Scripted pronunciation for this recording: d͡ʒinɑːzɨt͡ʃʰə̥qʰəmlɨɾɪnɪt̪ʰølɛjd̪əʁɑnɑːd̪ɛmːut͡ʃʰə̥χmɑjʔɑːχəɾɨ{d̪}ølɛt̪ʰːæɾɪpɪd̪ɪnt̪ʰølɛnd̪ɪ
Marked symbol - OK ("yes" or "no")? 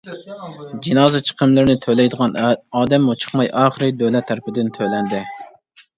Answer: yes